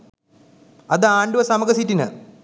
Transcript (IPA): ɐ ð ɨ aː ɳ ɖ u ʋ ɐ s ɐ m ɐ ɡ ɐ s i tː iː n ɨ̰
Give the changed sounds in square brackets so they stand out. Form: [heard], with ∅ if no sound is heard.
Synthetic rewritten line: ɐ ð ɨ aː ɳ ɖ u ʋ ɐ s ɐ m ɐ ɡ ɐ s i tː [i] n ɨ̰

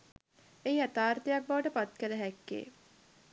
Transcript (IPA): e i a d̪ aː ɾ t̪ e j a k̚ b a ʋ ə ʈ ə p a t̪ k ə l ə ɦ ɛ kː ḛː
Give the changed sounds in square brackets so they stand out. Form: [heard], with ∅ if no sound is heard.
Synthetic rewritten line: e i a [t̪] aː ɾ t̪ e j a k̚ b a ʋ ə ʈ ə p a t̪ k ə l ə ɦ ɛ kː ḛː

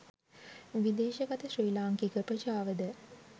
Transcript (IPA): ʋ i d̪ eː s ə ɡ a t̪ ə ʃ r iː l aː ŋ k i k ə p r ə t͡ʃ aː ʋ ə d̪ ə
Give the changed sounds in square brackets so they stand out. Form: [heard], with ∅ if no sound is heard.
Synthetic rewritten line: ʋ i d̪ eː [ʃ] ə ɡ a t̪ ə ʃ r iː l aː ŋ k i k ə p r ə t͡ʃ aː ʋ ə d̪ ə

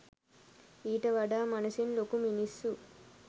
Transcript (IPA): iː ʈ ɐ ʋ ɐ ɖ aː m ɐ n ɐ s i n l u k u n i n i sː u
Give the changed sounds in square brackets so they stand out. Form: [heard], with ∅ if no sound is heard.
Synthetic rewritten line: iː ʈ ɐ ʋ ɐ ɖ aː m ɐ n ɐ s i n l [o] k u [m] i n i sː u

